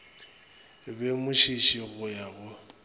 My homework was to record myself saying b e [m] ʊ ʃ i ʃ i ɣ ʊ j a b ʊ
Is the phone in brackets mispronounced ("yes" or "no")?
no